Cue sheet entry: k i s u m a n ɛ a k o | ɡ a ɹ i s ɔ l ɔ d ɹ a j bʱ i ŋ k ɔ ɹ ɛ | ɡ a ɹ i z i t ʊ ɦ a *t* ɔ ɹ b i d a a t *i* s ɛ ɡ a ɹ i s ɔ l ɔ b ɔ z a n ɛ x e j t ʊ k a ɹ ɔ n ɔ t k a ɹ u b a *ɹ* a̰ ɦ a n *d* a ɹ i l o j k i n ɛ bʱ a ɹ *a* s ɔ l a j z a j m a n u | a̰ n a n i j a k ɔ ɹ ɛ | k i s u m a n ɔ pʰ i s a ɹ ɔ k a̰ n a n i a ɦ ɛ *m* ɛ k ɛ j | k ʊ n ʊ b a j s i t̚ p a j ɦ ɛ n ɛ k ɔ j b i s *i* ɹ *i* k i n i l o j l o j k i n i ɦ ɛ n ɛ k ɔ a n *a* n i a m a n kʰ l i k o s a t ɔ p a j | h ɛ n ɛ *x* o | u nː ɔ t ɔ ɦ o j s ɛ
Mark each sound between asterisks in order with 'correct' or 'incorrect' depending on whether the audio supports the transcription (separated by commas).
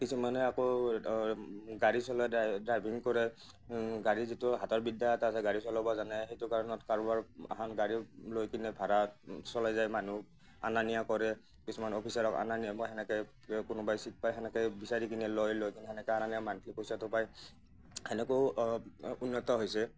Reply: correct, incorrect, correct, incorrect, correct, incorrect, incorrect, correct, correct, incorrect